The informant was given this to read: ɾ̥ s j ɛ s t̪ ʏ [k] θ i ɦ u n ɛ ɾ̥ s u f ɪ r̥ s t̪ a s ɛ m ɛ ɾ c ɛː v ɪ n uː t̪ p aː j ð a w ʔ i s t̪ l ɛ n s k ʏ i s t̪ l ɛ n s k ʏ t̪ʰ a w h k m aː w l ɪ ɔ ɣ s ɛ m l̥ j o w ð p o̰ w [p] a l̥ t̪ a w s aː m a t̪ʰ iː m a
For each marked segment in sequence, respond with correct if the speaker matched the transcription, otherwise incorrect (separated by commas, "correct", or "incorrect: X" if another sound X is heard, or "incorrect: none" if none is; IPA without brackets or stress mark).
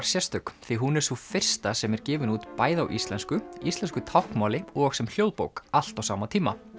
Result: correct, incorrect: k